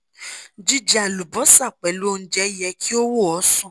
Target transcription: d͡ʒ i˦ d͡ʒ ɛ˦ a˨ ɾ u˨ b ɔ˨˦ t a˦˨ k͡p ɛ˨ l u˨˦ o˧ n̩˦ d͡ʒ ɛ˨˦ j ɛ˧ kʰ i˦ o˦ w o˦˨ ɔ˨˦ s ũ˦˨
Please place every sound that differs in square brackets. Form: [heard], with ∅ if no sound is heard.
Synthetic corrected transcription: d͡ʒ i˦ d͡ʒ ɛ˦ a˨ [l] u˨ b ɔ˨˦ [s] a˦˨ k͡p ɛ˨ l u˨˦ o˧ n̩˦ d͡ʒ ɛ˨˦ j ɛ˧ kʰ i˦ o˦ w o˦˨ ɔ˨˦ s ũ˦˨